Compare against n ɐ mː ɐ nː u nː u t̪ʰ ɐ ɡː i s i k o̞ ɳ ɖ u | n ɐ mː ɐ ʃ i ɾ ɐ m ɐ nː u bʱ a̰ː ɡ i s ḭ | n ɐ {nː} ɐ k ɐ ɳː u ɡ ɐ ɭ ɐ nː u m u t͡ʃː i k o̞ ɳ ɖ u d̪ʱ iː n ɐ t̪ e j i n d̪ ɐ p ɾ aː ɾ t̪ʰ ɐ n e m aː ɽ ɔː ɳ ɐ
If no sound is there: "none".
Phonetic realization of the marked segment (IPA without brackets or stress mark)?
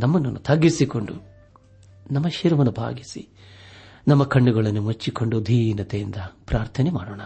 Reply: mː